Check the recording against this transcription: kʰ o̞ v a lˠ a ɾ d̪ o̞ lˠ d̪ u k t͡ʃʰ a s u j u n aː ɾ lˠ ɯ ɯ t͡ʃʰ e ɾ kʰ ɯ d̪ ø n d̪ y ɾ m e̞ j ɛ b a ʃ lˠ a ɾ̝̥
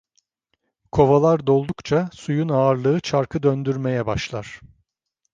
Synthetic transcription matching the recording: kʰ o̞ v a lˠ a ɾ d̪ o̞ lˠ d̪ u k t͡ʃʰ a s u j u n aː ɾ lˠ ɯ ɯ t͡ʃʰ a ɾ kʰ ɯ d̪ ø n d̪ y ɾ m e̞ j ɛ b a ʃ lˠ a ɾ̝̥

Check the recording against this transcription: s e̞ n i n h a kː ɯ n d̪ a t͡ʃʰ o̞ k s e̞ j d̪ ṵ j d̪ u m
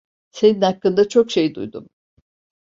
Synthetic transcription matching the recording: s e̞ n i n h a kː ɯ n d̪ a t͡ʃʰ o̞ k ʃ e̞ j d̪ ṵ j d̪ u m

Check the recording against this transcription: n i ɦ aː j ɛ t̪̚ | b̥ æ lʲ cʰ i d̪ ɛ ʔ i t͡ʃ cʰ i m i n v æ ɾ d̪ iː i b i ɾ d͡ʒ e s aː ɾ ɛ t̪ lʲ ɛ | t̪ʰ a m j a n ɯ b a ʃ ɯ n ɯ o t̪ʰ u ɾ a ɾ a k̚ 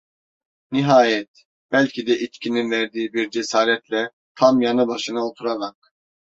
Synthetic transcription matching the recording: n i ɦ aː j ɛ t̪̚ | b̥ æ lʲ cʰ i d̪ ɛ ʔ i t͡ʃ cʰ i n i n v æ ɾ d̪ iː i b i ɾ d͡ʒ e s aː ɾ ɛ t̪ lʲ ɛ | t̪ʰ a m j a n ɯ b a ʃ ɯ n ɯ o t̪ʰ u ɾ a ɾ a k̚

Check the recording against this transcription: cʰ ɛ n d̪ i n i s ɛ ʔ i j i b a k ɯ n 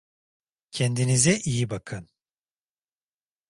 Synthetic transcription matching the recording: cʰ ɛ n d̪ i n i z ɛ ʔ i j i b a kʰ ɯ n

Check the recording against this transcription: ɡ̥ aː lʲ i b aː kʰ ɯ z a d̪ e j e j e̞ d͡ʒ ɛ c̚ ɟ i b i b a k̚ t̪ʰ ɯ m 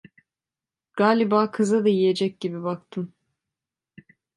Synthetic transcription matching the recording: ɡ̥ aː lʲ i b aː kʰ ɯ z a d̪ a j i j e̞ d͡ʒ ɛ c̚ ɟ i b i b a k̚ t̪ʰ ɯ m

